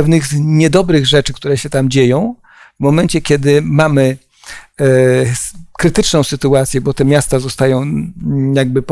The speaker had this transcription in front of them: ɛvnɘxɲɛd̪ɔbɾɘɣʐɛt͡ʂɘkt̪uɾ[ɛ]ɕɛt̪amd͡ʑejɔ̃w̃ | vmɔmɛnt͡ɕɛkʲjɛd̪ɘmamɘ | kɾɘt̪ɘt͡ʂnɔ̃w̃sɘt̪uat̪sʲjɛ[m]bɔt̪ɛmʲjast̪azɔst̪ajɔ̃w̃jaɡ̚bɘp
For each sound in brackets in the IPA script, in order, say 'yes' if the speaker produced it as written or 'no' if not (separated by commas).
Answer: yes, no